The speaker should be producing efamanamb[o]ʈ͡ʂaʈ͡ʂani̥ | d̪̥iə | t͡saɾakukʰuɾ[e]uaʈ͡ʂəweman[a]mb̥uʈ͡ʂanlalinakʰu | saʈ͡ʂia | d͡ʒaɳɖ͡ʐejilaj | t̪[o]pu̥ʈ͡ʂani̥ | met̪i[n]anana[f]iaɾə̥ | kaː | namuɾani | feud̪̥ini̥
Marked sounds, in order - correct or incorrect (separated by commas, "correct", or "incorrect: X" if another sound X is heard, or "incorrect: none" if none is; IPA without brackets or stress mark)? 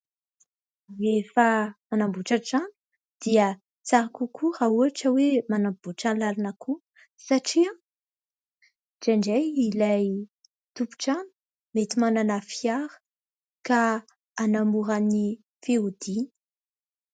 incorrect: u, incorrect: a, correct, incorrect: u, incorrect: m, correct